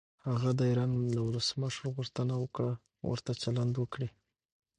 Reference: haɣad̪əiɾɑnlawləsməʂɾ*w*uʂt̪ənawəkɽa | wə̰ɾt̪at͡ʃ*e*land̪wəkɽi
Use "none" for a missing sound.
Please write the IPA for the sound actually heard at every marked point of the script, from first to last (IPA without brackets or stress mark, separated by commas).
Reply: ɣ, a